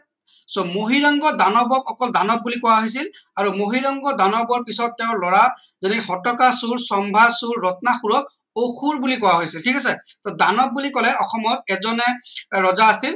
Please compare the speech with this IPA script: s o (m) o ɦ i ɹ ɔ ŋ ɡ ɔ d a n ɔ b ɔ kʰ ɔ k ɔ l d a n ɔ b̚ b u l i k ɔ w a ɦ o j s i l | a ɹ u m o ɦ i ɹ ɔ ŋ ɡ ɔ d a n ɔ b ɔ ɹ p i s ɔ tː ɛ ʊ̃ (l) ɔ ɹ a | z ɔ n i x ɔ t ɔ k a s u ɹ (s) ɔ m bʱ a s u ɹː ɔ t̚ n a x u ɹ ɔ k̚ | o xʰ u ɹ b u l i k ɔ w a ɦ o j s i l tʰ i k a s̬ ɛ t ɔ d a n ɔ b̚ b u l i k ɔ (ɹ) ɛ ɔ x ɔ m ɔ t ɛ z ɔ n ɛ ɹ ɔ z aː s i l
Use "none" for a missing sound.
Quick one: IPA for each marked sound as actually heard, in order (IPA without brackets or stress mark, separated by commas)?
m, l, s, l